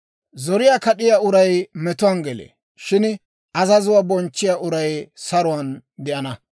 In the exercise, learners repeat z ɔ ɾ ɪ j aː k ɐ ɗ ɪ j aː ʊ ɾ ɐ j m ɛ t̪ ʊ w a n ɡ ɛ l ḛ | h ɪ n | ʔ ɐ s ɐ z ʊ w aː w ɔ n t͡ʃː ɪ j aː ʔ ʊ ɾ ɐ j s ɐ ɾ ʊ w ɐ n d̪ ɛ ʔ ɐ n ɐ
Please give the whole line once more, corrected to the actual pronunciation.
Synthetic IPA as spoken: z ɔ ɾ ɪ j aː k ɐ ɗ ɪ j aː ʊ ɾ ɐ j m ɛ t̪ ʊ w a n ɡ ɛ l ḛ | ʃ ɪ n | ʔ ɐ z ɐ z ʊ w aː b ɔ n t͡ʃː ɪ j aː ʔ ʊ ɾ ɐ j s ɐ ɾ ʊ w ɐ n d̪ ɛ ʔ ɐ n ɐ